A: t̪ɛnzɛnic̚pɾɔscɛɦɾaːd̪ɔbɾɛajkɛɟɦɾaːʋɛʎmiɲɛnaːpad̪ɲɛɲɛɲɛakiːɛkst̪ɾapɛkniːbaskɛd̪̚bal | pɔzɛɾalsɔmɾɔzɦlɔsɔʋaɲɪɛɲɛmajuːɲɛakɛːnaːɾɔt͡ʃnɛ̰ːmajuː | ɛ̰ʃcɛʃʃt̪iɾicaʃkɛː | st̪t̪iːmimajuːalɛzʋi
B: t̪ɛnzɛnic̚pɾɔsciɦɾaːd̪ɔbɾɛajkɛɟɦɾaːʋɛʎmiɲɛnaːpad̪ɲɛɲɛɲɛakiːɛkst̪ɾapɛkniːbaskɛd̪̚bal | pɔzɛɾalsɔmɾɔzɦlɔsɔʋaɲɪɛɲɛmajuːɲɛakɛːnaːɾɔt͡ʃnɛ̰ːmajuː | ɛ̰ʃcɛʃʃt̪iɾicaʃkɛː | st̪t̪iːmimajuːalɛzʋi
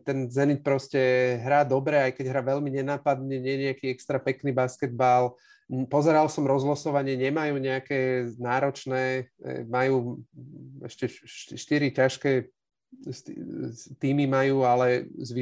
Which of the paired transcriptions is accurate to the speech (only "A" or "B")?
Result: A